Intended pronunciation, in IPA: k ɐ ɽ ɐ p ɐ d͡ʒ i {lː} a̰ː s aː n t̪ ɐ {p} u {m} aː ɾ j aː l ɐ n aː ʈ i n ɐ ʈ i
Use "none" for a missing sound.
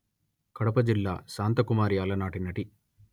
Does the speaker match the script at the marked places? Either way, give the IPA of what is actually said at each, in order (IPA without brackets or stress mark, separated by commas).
lː, k, m